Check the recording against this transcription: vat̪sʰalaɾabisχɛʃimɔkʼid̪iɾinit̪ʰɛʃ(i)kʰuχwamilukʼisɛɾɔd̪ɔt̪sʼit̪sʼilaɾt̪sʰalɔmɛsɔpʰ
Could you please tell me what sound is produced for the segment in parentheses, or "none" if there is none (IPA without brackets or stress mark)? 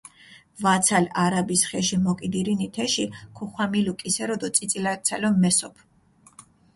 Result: i